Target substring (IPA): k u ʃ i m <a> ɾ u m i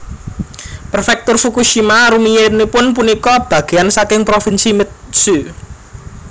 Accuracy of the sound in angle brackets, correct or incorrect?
correct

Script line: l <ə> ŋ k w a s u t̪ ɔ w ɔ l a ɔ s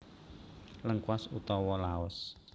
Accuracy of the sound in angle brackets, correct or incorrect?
correct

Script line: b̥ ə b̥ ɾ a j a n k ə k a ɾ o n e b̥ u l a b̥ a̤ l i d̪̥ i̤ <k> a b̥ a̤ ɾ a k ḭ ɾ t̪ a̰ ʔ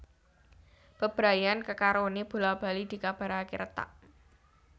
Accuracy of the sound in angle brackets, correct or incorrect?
correct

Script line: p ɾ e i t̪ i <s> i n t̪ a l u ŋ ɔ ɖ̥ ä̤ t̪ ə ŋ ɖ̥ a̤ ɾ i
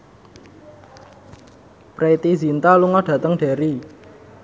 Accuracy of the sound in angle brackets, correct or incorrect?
incorrect: z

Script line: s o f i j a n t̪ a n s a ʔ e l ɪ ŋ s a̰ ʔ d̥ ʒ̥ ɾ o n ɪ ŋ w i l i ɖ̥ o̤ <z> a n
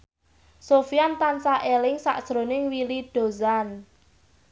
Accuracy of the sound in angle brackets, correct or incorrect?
correct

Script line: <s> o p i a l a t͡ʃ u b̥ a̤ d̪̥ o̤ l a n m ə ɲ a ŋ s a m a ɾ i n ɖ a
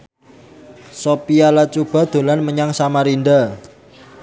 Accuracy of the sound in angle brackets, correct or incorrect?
correct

